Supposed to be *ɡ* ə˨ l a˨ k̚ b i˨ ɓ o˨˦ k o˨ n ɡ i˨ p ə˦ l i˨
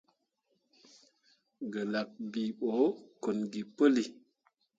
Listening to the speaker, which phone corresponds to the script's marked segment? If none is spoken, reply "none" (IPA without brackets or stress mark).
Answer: ɡ